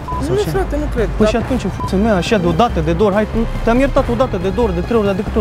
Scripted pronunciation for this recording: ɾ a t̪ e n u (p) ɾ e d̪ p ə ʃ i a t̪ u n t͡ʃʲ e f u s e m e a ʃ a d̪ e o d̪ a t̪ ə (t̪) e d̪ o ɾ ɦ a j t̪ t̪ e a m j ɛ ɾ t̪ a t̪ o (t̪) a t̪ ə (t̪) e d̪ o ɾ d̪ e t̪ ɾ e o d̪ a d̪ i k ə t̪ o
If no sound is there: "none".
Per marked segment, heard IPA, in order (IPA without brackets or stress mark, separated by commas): k, d̪, d̪, d̪